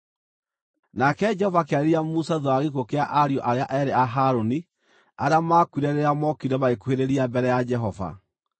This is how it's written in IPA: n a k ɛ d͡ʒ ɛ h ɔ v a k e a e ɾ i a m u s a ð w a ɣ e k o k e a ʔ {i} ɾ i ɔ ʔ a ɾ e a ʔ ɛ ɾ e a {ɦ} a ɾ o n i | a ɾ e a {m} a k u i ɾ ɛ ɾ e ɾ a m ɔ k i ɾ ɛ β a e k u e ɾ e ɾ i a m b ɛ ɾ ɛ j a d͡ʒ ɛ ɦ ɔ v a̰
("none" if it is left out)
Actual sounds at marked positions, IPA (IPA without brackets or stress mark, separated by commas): a, ɦ, m